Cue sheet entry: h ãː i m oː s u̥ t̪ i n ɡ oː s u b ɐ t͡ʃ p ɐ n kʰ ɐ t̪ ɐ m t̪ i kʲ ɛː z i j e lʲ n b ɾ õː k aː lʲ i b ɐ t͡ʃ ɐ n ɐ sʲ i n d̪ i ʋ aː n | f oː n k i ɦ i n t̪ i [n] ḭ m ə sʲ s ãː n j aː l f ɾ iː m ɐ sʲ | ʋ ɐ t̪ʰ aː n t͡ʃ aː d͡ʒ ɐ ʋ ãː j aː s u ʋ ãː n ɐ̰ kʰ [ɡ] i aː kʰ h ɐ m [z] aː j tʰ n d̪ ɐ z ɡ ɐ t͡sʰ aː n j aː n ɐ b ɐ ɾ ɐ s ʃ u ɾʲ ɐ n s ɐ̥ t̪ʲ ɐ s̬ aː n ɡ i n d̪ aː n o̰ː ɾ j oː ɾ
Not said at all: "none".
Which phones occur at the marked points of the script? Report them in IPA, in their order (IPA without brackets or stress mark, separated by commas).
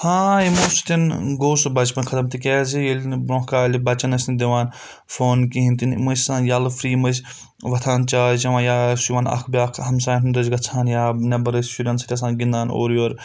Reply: n, b, s